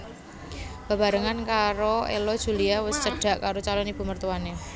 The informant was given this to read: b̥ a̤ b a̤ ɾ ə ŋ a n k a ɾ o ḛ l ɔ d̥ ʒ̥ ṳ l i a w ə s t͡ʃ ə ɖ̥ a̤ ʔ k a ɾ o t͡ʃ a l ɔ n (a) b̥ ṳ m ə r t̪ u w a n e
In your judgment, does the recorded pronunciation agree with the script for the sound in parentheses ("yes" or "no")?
no